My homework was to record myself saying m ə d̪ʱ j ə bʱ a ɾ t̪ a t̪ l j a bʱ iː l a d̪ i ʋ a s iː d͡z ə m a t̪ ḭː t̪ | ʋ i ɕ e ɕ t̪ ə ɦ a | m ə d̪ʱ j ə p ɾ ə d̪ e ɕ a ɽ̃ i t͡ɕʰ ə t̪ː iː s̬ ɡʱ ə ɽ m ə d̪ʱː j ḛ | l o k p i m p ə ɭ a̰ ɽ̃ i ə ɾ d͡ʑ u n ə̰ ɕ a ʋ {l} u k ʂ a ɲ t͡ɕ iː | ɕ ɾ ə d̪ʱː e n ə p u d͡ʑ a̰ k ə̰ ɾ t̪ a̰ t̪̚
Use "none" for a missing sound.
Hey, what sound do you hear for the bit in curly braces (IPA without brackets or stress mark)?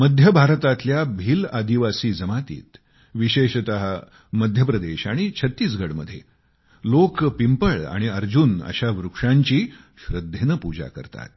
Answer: ɾ